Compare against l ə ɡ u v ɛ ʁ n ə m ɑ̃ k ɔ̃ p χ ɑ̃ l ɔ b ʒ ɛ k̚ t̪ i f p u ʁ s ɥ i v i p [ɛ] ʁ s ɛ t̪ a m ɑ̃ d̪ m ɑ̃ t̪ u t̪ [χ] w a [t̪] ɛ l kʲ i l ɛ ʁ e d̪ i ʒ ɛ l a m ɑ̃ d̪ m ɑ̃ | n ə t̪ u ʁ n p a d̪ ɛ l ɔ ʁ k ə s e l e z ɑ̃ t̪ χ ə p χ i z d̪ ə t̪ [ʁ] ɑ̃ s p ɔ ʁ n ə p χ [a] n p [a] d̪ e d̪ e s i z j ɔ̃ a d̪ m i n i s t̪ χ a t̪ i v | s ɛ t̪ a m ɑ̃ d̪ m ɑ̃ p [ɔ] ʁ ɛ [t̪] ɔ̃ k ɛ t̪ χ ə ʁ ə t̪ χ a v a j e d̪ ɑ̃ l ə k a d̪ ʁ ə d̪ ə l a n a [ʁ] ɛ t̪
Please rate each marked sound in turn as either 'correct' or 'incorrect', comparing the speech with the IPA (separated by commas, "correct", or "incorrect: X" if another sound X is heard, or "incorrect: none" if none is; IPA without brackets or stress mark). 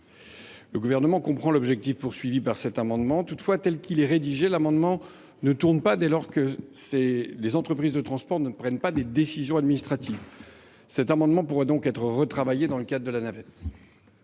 incorrect: a, incorrect: f, correct, incorrect: χ, incorrect: ɛ, correct, incorrect: u, incorrect: d̪, incorrect: v